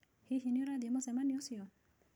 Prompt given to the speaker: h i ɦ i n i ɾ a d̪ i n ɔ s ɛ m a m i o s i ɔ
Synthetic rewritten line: h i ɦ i n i ɾ a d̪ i m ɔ s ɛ m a n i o s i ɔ